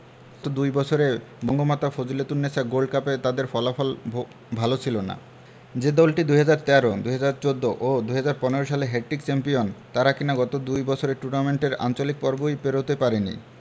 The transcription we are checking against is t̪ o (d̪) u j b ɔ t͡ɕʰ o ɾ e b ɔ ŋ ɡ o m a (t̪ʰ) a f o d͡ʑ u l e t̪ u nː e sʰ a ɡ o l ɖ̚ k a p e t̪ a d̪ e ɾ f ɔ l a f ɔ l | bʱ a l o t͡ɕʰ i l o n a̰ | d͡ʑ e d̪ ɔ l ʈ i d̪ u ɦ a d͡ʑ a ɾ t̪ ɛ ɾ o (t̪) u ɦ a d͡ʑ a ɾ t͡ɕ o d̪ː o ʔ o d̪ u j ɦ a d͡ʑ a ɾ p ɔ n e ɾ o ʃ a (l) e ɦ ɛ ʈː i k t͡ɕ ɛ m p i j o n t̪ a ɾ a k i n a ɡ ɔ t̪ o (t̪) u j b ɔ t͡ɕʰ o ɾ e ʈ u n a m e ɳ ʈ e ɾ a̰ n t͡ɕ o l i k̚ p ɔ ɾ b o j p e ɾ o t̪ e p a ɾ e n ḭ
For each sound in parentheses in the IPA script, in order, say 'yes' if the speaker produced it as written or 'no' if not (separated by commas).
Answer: yes, no, no, yes, no